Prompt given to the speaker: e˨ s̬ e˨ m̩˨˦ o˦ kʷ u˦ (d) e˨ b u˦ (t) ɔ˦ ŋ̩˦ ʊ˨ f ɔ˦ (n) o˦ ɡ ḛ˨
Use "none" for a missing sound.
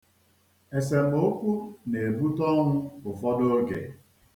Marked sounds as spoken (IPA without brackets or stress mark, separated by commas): n, t, d